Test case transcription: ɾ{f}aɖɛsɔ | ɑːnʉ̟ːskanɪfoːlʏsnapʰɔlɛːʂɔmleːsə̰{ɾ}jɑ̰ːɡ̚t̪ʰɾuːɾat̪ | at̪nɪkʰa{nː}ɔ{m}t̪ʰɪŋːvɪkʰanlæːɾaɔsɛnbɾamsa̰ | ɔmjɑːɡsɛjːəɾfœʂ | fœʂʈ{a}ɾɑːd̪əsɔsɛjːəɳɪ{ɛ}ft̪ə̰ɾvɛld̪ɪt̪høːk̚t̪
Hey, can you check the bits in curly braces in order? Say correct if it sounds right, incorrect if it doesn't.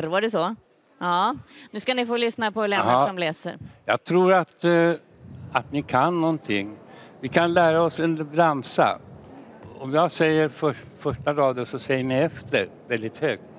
incorrect: v, correct, correct, incorrect: n, correct, correct

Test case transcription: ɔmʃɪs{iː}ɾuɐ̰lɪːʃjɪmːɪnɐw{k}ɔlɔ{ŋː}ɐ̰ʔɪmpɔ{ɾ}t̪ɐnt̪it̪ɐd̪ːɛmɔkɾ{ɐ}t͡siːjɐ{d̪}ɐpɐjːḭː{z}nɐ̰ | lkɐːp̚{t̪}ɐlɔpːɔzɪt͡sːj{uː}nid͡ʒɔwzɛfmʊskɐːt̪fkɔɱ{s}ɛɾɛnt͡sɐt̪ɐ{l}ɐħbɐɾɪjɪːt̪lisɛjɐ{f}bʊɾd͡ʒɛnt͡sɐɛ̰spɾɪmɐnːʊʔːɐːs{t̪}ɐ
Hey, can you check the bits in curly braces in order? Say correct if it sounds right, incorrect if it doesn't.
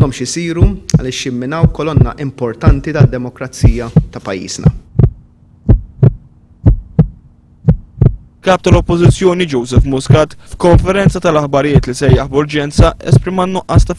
correct, correct, incorrect: nː, correct, correct, incorrect: t̪, correct, correct, incorrect: ɔː, incorrect: f, correct, incorrect: ħ, correct

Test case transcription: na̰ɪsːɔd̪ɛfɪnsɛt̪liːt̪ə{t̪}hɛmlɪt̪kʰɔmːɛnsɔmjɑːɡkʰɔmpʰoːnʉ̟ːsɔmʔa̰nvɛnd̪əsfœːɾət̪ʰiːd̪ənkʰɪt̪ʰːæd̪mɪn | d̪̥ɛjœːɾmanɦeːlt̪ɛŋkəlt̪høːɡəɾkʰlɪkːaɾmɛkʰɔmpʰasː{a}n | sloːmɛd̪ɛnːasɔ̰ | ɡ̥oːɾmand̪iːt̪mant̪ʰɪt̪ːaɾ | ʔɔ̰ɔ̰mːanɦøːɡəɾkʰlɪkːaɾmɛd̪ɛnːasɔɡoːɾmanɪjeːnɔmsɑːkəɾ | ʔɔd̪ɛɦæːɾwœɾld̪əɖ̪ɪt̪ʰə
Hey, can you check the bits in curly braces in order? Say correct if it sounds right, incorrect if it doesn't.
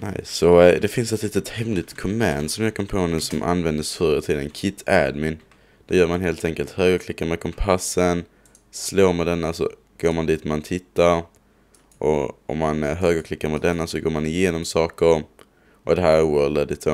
correct, incorrect: ə

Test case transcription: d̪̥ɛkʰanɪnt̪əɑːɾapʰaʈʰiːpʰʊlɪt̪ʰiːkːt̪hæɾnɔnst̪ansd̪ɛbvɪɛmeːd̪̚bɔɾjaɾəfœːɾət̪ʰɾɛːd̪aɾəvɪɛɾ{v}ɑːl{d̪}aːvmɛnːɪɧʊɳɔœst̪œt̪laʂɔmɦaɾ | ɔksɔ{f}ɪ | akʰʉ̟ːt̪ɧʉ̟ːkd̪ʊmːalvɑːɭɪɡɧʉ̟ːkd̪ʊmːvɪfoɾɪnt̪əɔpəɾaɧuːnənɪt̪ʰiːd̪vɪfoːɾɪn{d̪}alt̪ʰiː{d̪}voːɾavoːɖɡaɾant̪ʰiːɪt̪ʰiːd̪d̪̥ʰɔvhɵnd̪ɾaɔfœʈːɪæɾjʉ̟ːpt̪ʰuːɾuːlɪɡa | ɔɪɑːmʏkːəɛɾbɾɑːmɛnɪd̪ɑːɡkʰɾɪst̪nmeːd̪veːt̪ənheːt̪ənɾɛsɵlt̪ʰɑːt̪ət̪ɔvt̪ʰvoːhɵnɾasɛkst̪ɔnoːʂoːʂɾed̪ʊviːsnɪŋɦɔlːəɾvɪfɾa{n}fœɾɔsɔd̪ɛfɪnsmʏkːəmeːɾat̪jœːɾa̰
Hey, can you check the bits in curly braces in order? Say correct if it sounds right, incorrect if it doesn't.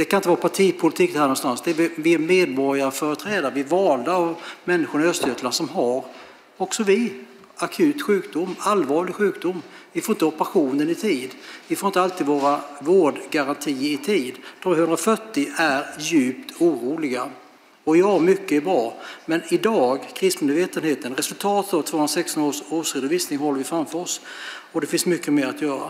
correct, correct, incorrect: v, incorrect: t̪, correct, incorrect: m

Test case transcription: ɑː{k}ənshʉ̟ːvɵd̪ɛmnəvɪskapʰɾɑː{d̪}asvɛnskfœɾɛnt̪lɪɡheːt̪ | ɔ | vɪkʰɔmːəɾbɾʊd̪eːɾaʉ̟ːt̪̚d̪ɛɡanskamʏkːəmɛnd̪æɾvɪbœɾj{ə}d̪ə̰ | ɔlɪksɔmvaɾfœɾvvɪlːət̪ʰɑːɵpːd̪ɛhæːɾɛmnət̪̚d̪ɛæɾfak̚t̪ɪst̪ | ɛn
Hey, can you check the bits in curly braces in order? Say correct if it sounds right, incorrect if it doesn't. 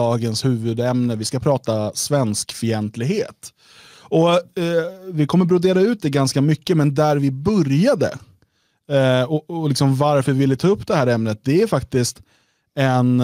incorrect: ɡ, incorrect: t̪, incorrect: a

